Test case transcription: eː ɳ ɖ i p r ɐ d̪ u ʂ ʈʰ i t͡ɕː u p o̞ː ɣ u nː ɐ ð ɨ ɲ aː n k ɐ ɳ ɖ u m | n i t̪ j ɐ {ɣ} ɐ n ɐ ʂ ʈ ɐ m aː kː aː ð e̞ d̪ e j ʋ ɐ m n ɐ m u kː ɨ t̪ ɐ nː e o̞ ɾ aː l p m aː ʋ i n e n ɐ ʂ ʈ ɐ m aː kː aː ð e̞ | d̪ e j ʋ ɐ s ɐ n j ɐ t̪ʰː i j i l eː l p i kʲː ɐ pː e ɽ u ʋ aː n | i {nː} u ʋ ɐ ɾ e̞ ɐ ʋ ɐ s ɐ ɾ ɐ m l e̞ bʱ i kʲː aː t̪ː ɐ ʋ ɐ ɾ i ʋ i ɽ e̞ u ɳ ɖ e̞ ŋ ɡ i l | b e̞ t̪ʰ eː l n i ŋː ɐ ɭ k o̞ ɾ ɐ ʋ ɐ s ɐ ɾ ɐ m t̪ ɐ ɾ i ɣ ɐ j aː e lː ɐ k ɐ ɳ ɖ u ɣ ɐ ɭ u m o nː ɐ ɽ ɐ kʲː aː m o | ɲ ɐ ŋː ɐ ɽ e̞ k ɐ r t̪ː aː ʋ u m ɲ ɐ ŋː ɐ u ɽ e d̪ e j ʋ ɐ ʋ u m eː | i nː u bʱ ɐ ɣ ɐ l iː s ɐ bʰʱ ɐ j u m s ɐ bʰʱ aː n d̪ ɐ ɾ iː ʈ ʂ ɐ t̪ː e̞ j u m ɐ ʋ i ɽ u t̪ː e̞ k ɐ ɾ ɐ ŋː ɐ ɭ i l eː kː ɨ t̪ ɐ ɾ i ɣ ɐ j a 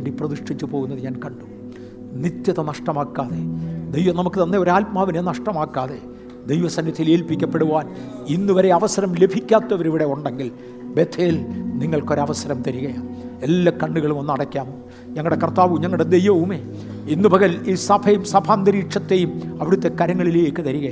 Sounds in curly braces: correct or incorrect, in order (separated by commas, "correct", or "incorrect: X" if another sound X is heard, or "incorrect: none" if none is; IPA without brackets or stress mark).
incorrect: ð, correct